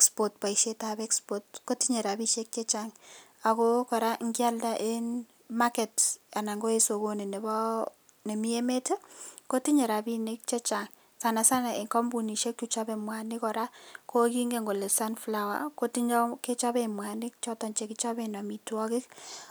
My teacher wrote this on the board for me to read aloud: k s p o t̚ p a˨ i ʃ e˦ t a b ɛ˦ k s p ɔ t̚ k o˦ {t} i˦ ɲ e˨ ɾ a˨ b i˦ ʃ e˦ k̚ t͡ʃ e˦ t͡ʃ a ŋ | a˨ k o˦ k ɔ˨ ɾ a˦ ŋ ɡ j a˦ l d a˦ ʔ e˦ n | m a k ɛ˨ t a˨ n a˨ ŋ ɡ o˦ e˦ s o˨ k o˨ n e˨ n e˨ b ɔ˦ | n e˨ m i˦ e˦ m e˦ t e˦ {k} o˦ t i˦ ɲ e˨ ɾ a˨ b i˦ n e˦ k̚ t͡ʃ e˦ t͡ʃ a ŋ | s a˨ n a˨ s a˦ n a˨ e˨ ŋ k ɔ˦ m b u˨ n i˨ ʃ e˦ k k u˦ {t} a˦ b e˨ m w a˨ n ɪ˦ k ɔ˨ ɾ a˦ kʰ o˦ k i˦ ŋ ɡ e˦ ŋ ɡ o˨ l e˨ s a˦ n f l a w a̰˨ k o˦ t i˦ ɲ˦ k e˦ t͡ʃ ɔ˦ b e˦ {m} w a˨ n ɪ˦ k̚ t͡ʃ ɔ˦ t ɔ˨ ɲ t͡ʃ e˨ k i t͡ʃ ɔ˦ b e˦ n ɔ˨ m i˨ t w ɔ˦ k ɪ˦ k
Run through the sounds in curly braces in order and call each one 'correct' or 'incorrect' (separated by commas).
correct, correct, incorrect, correct